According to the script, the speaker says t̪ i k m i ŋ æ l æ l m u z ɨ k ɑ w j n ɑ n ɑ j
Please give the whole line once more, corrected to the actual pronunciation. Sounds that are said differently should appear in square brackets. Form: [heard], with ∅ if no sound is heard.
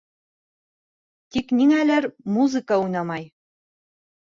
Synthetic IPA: t̪ i k [n] i ŋ æ l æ [ɾ] m u z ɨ k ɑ [u] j n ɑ [m] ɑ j